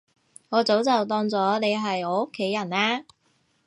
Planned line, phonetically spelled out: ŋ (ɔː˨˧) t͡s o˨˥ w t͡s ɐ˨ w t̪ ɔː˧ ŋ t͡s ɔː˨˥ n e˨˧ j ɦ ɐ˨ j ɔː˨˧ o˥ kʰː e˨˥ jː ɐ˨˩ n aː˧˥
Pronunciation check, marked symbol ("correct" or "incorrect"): correct